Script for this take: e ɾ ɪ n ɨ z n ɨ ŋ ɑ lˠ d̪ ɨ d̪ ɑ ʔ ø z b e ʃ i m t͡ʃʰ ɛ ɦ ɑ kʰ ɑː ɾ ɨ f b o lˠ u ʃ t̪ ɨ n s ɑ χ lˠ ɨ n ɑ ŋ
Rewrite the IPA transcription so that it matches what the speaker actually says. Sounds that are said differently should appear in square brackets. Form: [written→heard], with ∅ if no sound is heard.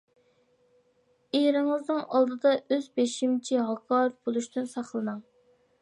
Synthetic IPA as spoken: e ɾ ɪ [n→ŋ] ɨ z n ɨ ŋ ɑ lˠ d̪ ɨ d̪ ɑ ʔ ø z b e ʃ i m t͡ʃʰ [ɛ→i] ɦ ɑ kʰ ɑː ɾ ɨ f b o lˠ u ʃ t̪ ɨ n s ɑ χ lˠ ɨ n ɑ ŋ